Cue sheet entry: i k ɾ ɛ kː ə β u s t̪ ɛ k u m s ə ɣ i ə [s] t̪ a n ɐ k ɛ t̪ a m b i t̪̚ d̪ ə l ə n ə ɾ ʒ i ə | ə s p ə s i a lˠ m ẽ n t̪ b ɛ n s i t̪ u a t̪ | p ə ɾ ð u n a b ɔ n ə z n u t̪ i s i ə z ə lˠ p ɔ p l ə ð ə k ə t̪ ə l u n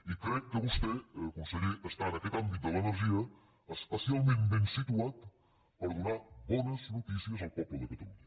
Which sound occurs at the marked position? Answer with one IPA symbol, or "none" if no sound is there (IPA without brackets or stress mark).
s